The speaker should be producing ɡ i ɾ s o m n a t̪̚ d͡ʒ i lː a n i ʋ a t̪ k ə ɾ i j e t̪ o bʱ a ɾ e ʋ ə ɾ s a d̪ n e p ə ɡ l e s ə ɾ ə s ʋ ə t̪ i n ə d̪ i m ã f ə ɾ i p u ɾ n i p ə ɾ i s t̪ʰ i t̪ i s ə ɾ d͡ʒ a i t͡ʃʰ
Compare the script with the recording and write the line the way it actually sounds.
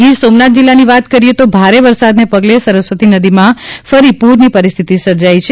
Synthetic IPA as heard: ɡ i ɾ s o m n a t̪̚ d͡ʒ i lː a n i ʋ a t̪ k ə ɾ i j e t̪ o bʱ a ɾ e ʋ ə ɾ s a d̪ n e p ə ɡ l e s ə ɾ ə s ʋ ə t̪ i n ə d̪ i m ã f ə ɾ i p u ɾ n i p ə ɾ i s t̪ʰ i t̪ i s ə ɾ d͡ʒ a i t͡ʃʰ